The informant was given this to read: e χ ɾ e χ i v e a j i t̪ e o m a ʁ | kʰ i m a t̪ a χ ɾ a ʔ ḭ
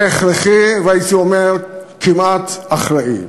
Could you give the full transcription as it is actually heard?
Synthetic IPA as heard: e χ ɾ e χ i v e a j i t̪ i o m e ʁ | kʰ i m a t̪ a χ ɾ a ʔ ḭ